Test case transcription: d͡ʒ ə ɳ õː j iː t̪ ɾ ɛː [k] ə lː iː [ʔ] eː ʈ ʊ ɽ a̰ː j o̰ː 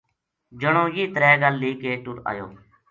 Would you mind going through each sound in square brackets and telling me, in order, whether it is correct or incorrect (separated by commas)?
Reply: incorrect, incorrect